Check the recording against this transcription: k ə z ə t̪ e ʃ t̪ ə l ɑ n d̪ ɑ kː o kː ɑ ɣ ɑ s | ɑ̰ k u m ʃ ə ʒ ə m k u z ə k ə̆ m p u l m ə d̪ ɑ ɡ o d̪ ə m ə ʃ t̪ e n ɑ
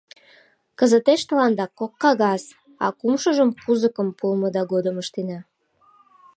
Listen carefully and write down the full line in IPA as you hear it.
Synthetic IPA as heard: k ə z ə t̪ e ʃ t̪ ə l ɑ n d̪ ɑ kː o kː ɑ ɣ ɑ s | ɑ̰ k u m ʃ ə ʒ ə m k u z ə k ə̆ m p u l m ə d̪ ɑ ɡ o d̪ ə m ə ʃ t̪ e n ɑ